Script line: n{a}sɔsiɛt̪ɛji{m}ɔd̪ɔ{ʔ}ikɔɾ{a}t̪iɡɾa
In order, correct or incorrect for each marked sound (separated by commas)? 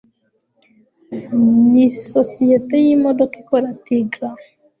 incorrect, correct, incorrect, correct